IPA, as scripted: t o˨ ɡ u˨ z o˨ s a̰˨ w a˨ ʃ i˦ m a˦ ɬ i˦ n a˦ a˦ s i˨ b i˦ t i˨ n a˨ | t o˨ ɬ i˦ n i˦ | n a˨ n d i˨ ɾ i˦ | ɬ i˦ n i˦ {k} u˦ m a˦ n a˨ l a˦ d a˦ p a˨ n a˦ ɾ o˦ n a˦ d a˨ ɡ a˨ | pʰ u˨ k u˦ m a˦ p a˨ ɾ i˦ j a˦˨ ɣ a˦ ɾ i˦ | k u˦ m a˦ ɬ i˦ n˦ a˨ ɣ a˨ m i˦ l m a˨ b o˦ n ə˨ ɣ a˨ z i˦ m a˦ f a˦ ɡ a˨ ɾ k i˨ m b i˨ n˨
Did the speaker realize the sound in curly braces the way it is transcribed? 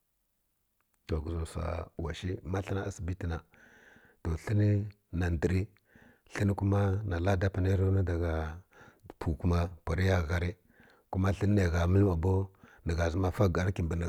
yes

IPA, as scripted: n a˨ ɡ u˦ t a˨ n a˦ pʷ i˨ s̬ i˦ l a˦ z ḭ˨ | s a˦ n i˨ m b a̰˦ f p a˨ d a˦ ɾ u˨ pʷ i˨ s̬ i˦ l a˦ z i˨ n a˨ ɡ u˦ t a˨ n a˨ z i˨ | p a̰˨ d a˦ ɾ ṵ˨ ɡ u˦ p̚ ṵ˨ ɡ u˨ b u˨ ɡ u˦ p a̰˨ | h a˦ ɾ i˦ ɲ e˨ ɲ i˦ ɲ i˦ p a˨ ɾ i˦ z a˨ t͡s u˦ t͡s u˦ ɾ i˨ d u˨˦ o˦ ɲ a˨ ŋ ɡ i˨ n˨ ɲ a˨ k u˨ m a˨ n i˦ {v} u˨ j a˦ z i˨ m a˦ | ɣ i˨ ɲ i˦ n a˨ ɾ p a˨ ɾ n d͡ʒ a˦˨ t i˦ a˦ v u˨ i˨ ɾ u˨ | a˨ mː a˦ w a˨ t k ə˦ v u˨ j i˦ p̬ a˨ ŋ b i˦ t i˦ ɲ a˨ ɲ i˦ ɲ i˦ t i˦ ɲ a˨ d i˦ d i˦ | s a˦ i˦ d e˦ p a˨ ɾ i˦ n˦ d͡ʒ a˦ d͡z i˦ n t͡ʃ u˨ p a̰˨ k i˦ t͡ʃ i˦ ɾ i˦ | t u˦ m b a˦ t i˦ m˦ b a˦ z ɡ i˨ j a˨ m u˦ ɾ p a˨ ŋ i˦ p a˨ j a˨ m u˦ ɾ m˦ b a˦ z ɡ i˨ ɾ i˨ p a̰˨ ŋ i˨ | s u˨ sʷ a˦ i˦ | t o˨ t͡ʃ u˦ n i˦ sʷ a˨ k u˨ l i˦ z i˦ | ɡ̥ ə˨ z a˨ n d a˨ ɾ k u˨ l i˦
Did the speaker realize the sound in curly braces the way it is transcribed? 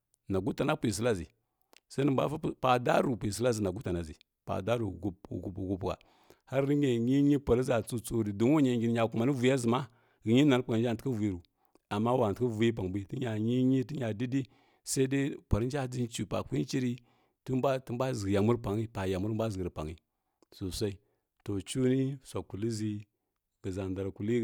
yes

